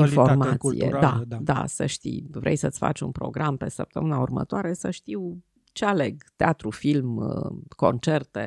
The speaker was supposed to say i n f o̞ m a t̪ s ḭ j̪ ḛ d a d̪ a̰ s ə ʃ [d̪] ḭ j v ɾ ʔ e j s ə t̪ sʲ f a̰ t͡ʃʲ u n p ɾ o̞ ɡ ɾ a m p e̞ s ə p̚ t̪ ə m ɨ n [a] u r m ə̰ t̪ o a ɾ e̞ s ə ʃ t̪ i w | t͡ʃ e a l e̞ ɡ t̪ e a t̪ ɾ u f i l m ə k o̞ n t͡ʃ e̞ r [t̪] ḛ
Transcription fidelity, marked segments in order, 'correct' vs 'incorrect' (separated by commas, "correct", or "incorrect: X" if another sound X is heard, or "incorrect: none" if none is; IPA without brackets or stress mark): incorrect: t̪, correct, correct